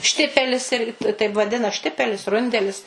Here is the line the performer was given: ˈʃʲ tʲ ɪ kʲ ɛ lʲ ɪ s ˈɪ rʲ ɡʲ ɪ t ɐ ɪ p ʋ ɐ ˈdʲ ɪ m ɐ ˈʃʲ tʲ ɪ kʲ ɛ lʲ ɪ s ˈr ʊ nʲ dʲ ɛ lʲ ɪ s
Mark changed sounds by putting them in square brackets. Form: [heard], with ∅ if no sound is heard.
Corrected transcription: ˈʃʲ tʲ ɪ [pʲ] ɛ lʲ ɪ s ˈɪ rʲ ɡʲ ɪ t ɐ ɪ p ʋ ɐ ˈdʲ ɪ [n] ɐ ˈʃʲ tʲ ɪ [pʲ] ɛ lʲ ɪ s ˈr ʊ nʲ dʲ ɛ lʲ ɪ s

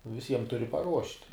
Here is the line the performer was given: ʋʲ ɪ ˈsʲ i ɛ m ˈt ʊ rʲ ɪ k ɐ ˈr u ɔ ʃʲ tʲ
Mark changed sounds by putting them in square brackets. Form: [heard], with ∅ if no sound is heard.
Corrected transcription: ʋʲ ɪ ˈsʲ i ɛ m ˈt ʊ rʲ ɪ [p] ɐ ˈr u ɔ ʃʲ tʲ

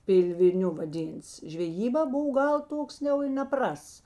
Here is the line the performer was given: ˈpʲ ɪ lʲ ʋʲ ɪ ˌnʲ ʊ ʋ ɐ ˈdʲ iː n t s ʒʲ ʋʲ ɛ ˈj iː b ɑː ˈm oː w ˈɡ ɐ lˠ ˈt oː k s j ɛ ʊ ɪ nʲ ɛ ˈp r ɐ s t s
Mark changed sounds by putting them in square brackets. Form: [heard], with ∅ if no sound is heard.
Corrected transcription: ˈpʲ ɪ lʲ ʋʲ ɪ ˌnʲ ʊ ʋ ɐ ˈdʲ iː n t s ʒʲ ʋʲ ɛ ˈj iː b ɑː [ˈb] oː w ˈɡ ɐ lˠ ˈt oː k s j ɛ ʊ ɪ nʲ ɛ ˈp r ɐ s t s

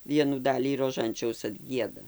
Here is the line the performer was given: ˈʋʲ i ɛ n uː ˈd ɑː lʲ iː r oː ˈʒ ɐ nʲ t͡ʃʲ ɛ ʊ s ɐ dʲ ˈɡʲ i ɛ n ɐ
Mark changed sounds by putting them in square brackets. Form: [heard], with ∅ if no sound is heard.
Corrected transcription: ˈʋʲ i ɛ n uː ˈd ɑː lʲ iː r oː ˈʒ ɐ nʲ t͡ʃʲ ɛ ʊ s ɐ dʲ ˈɡʲ i ɛ [d] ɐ

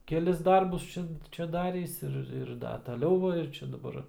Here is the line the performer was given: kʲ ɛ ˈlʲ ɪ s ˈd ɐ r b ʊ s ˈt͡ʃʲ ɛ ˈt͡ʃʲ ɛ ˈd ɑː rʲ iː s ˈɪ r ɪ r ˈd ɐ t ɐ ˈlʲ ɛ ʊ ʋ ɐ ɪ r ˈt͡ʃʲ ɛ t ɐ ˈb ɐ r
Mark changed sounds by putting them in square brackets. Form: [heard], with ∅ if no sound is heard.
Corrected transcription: kʲ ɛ ˈlʲ ɪ s ˈd ɐ r b ʊ s ˈt͡ʃʲ ɛ ˈt͡ʃʲ ɛ ˈd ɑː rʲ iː s ˈɪ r ɪ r ˈd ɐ t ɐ ˈlʲ ɛ ʊ ʋ ɐ ɪ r ˈt͡ʃʲ ɛ [d] ɐ ˈb ɐ r

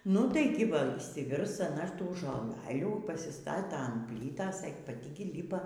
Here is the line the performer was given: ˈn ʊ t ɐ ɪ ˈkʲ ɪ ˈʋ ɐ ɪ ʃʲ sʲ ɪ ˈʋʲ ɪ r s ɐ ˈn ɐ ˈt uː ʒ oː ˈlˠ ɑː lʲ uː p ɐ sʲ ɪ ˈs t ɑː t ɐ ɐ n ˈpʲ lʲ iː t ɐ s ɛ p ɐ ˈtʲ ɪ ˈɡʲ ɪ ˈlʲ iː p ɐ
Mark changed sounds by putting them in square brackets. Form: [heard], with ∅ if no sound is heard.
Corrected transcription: ˈn ʊ t ɐ ɪ [ˈɡʲ] ɪ ˈʋ ɐ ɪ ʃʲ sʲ ɪ ˈʋʲ ɪ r s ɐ ˈn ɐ ˈt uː ʒ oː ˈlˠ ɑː lʲ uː p ɐ sʲ ɪ ˈs t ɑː t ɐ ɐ n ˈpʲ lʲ iː t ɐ s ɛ p ɐ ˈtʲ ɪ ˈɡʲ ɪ ˈlʲ iː p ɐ

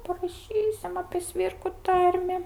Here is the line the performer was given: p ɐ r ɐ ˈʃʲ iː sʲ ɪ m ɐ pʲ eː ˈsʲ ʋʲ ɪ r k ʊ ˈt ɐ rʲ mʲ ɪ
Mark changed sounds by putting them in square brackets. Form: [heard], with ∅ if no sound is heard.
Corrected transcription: p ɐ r ɐ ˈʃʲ iː sʲ ɪ m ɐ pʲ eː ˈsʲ ʋʲ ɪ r k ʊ ˈt ɐ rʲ mʲ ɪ

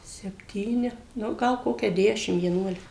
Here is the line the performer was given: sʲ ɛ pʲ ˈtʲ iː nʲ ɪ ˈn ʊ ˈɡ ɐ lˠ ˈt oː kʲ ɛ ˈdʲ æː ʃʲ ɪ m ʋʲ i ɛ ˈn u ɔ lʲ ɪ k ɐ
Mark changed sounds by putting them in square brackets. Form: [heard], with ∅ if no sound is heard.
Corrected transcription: sʲ ɛ pʲ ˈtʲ iː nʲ ɪ ˈn ʊ ˈɡ ɐ lˠ [ˈk] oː kʲ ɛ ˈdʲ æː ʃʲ ɪ m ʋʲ i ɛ ˈn u ɔ lʲ ɪ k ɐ

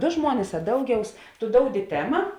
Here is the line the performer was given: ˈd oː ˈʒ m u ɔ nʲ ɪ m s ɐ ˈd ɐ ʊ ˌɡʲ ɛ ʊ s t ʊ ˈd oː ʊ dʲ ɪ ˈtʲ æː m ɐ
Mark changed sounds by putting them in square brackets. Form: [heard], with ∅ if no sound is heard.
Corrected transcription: ˈd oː ˈʒ m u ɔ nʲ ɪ [∅] s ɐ ˈd ɐ ʊ ˌɡʲ ɛ ʊ s t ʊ ˈd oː ʊ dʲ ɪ ˈtʲ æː m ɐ

